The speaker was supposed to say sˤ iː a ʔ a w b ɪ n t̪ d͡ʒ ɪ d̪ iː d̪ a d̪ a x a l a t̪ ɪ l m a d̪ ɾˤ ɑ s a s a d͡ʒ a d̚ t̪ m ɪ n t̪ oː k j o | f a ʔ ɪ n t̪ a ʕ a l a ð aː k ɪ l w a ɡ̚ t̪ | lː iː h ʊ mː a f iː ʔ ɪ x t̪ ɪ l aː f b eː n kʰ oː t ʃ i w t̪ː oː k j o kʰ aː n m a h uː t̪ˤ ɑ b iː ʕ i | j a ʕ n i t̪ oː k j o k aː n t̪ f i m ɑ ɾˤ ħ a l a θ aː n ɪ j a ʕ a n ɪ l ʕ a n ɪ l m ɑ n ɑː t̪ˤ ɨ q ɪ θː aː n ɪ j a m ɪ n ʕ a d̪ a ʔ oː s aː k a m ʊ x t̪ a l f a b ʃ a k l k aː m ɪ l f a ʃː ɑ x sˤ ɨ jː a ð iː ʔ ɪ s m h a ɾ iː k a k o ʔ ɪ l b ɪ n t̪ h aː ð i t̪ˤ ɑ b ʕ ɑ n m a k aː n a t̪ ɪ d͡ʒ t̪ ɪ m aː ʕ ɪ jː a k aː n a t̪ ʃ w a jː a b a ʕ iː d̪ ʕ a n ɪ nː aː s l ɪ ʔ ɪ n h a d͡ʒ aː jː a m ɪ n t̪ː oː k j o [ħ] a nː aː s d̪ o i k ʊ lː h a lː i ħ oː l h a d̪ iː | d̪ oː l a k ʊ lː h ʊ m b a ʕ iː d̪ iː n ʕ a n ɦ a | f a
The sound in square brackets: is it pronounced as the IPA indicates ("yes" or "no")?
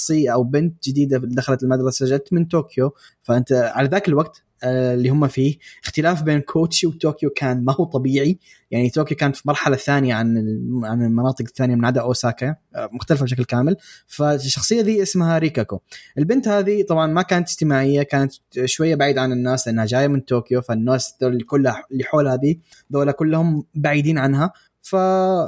no